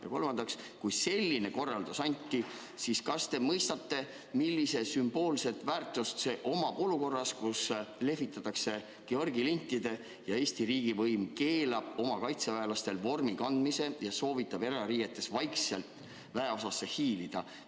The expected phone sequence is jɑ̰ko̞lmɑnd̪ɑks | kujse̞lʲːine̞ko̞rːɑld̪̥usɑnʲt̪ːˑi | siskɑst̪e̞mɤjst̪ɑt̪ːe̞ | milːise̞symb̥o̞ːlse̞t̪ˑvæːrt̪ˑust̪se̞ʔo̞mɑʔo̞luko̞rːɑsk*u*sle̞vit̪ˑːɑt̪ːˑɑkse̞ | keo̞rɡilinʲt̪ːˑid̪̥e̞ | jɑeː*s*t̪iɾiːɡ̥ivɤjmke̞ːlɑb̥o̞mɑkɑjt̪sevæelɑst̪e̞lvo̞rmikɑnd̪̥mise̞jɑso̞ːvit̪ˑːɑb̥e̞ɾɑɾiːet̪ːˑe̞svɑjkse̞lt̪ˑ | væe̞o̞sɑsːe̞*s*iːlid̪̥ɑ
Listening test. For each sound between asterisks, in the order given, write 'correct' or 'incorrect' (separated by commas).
correct, correct, incorrect